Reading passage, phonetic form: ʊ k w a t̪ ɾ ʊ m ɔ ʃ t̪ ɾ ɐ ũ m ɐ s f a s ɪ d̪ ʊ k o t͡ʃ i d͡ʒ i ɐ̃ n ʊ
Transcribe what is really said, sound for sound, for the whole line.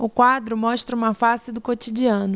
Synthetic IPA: ʊ k w a d̪ ɾ ʊ m ɔ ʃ t̪ ɾ ɐ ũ m ɐ f a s ɪ d̪ ʊ k o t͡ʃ i d͡ʒ i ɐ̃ n ʊ